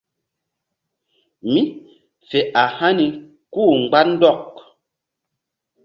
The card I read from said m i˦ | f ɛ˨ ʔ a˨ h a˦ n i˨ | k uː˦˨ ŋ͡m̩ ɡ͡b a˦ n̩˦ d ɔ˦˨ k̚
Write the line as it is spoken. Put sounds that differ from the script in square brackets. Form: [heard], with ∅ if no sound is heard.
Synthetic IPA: m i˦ | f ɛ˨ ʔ a˨ h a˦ n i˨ | k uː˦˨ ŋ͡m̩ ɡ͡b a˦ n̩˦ d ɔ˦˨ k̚